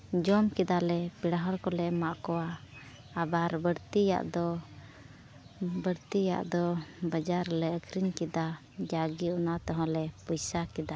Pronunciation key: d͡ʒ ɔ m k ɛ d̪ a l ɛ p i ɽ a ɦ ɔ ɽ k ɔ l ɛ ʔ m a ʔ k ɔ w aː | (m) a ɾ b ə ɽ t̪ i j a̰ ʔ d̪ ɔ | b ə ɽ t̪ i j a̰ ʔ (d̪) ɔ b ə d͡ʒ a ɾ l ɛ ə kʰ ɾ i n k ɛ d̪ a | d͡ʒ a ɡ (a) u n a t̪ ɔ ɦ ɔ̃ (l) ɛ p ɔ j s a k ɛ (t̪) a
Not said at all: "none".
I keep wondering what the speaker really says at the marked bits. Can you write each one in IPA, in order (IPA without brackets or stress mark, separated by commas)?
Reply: b, d̪, i, l, d̪